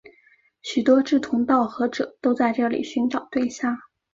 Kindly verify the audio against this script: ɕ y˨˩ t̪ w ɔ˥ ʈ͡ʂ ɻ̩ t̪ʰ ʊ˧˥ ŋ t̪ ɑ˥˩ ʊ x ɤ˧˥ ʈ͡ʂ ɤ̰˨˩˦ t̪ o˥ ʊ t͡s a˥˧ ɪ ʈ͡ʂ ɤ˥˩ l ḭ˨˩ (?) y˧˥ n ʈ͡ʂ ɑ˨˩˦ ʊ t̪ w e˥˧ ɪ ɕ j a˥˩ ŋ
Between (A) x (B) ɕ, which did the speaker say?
B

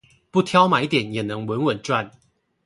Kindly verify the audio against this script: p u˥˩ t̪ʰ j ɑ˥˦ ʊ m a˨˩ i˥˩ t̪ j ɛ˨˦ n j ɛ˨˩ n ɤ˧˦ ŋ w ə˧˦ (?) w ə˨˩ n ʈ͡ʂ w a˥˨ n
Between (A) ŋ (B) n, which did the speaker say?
B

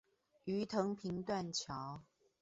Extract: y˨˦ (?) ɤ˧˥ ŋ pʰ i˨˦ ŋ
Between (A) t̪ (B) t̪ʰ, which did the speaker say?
B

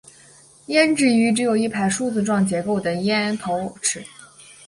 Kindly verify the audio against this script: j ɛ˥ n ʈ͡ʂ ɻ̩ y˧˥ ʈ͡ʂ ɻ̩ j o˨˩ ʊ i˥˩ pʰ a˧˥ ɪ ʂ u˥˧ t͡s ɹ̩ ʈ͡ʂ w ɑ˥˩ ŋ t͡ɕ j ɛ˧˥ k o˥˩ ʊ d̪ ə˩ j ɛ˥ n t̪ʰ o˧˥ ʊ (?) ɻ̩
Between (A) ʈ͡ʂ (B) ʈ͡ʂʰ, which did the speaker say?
B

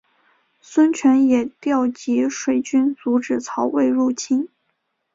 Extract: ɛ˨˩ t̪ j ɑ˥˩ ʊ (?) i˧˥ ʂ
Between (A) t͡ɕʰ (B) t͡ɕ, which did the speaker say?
B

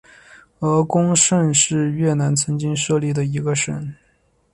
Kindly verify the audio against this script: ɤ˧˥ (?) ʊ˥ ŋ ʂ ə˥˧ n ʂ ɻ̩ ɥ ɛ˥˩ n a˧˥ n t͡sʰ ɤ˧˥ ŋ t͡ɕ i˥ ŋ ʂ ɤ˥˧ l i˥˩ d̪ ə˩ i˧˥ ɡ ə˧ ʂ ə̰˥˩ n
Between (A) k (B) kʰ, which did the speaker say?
A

